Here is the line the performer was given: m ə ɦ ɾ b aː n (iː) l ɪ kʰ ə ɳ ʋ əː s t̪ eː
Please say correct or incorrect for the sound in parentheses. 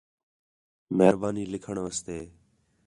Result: correct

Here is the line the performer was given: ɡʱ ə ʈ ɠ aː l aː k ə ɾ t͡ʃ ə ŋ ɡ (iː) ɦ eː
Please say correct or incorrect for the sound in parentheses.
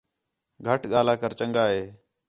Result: incorrect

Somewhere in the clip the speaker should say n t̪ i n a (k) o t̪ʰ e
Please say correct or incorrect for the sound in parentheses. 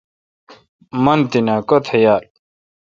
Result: correct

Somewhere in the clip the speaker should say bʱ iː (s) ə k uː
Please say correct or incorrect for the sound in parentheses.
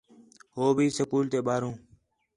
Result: correct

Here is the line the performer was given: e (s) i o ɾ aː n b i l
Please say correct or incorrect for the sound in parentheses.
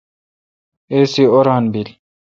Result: correct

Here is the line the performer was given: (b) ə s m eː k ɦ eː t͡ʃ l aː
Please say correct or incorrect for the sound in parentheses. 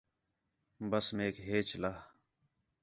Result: correct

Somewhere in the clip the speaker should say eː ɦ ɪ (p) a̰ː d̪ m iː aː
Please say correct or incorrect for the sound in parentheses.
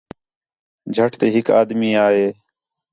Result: incorrect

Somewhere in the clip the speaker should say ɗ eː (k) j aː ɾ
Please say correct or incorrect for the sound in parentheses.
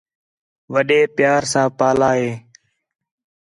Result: incorrect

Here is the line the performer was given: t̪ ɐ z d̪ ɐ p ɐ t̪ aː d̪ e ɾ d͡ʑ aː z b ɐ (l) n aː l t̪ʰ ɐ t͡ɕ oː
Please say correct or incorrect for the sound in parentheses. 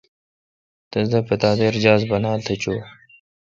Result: incorrect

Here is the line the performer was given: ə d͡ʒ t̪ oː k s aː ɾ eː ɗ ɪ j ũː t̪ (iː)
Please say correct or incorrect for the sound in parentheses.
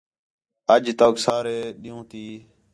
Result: correct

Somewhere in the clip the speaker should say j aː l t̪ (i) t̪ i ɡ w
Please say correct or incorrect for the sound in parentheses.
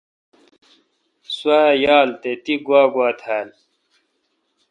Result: incorrect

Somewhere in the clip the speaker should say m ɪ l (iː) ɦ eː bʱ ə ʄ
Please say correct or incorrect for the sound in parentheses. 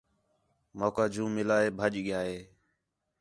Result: incorrect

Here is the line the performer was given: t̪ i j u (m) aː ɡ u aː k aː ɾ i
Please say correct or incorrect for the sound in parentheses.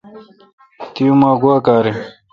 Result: correct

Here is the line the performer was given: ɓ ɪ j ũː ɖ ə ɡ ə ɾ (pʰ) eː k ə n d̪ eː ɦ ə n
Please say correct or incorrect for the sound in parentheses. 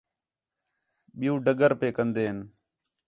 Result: incorrect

